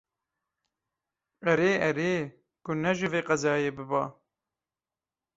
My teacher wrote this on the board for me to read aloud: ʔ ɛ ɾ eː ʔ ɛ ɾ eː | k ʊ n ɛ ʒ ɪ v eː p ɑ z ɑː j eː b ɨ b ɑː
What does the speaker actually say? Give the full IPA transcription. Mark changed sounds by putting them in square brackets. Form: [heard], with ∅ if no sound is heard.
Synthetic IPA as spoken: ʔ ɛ ɾ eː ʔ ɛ ɾ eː | k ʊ n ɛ ʒ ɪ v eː [q] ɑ z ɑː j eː b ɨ b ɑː